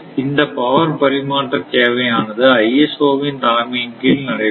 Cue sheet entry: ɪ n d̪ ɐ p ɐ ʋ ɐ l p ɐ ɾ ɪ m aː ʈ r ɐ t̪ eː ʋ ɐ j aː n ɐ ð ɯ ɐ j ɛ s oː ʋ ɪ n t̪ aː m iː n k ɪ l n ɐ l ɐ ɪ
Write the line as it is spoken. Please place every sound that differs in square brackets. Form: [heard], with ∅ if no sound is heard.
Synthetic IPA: ɪ n d̪ ɐ p ɐ ʋ ɐ [ɾ] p ɐ ɾ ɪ m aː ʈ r ɐ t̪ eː ʋ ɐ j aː n ɐ ð ɯ ɐ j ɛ s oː ʋ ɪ n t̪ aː m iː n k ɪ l n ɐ [ɽ] ɐ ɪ